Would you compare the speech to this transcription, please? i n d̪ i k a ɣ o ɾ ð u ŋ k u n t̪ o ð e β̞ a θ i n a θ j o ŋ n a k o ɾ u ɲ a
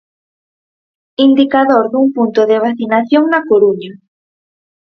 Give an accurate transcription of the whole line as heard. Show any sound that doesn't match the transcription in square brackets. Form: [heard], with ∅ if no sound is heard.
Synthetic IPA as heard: i n d̪ i k a [ð] o ɾ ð u ŋ [p] u n t̪ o ð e β̞ a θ i n a θ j o ŋ n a k o ɾ u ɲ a